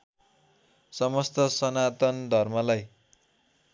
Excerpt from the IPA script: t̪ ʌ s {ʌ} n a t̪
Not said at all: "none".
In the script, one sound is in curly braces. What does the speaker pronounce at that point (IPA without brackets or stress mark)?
ʌ